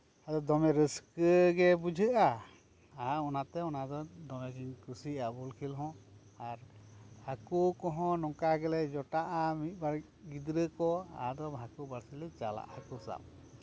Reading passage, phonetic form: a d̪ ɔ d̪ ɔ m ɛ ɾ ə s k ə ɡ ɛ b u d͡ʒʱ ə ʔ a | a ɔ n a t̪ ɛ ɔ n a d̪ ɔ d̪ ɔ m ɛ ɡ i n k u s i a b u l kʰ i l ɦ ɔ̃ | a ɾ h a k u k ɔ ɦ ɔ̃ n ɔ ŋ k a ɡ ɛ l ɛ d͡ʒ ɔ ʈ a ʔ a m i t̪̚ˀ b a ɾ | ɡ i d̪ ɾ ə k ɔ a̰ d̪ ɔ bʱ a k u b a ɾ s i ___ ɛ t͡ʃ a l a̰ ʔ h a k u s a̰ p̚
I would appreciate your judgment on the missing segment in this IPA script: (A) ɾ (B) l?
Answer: B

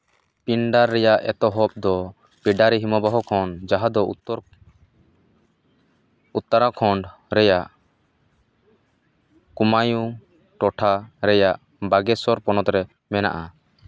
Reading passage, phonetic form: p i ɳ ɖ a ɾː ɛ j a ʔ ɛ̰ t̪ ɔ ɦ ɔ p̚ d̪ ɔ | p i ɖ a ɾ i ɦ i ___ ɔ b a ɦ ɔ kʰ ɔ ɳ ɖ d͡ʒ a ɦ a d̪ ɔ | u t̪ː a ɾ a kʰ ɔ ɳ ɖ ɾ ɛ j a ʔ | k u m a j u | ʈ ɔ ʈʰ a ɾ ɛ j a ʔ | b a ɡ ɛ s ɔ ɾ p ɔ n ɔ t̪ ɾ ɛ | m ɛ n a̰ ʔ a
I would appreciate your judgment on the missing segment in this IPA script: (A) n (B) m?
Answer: B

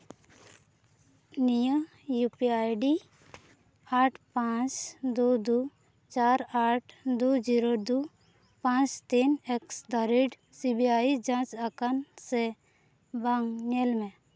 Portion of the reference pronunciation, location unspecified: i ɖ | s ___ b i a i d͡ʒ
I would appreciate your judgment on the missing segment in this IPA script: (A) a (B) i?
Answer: B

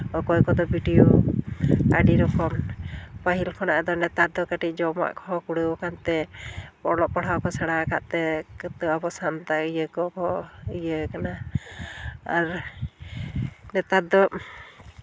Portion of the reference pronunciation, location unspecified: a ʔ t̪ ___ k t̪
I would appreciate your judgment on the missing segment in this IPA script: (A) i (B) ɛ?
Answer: B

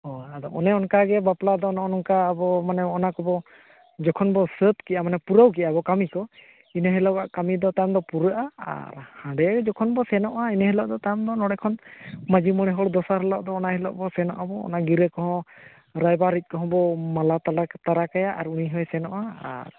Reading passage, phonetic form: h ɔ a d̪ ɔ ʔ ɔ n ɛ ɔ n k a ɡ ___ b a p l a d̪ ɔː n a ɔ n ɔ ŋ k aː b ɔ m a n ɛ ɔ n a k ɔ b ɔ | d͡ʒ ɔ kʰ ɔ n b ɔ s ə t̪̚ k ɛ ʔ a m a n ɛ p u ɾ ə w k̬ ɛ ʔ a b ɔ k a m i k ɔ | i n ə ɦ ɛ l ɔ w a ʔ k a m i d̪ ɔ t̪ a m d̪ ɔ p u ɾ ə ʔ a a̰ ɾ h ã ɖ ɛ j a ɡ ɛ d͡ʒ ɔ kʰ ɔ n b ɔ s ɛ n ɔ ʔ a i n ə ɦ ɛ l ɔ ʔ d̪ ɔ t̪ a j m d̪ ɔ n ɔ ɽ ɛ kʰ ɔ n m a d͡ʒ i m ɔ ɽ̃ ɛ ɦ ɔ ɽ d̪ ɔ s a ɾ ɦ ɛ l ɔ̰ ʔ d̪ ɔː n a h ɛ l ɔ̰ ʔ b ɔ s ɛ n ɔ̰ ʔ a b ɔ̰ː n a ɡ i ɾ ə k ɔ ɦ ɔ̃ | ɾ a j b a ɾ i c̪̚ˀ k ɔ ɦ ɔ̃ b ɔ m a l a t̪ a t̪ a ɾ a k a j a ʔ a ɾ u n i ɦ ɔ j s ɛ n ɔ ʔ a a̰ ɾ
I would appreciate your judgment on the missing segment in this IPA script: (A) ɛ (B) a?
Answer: A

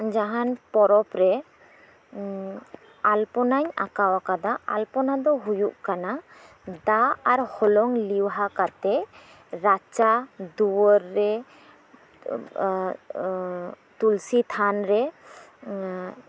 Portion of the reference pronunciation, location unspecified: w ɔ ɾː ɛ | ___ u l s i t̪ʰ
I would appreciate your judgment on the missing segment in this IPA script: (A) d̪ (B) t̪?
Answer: B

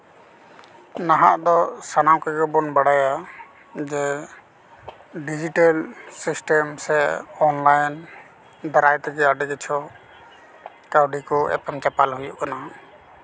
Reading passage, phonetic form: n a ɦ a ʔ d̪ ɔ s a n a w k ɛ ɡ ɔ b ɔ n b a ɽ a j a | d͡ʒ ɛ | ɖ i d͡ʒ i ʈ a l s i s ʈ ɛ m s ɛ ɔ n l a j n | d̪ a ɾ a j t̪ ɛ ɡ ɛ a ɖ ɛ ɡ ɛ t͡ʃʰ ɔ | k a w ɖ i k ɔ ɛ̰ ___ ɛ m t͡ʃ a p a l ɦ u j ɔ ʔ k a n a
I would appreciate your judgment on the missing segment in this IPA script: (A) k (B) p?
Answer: B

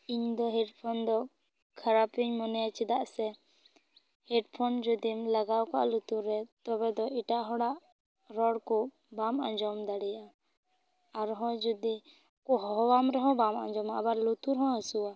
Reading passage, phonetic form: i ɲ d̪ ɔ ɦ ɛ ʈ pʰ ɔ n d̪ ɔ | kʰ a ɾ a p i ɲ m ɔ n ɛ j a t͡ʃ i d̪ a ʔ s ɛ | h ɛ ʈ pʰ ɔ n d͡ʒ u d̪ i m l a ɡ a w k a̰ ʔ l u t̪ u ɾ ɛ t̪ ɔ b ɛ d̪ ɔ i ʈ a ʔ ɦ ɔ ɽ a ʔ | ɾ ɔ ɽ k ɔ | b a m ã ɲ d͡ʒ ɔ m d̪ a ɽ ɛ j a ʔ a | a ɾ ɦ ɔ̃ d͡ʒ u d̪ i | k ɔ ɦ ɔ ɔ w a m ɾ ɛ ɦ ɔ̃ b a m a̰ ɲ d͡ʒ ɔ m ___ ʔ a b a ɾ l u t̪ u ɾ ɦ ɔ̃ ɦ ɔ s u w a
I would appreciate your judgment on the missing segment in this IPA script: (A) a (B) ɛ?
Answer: A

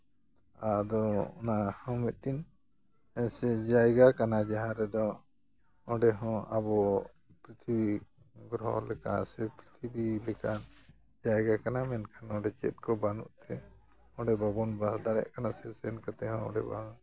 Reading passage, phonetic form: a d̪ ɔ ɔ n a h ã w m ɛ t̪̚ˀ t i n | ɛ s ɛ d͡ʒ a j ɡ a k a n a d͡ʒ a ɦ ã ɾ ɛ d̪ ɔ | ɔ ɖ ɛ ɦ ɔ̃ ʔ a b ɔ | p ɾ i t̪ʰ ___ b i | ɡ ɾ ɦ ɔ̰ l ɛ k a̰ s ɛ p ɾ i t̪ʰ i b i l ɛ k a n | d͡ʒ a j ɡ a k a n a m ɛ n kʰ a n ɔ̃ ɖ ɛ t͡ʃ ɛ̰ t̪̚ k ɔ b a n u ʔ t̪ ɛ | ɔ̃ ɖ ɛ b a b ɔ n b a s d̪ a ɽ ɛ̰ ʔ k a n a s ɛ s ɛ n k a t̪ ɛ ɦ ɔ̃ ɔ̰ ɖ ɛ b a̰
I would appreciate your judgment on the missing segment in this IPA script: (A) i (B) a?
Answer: A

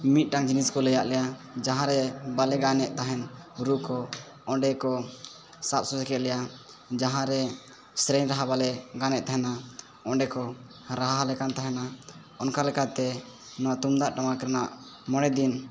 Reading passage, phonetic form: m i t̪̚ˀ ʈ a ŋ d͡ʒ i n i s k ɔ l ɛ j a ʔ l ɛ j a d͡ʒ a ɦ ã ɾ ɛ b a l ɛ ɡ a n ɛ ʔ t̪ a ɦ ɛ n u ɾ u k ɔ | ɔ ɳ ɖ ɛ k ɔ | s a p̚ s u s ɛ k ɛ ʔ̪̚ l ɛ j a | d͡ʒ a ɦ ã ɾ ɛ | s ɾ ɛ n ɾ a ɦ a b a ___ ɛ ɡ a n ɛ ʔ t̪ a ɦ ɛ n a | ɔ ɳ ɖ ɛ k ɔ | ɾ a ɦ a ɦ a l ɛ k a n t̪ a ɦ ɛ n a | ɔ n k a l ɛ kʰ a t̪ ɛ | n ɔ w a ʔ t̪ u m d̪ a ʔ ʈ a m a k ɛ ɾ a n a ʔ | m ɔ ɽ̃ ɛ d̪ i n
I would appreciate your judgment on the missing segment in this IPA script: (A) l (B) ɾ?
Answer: A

